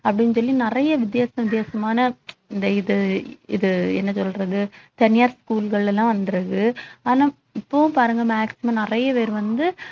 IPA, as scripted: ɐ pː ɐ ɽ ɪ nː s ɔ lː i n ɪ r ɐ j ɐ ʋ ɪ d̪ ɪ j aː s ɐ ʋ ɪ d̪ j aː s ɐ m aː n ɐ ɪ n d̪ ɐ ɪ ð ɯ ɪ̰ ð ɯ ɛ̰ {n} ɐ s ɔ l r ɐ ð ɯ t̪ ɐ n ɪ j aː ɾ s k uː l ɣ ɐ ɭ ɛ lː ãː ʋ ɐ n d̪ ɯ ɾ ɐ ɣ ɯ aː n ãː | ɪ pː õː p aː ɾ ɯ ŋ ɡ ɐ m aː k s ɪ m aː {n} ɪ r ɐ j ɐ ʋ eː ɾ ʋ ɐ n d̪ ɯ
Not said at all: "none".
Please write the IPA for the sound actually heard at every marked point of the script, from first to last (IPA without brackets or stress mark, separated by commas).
nː, n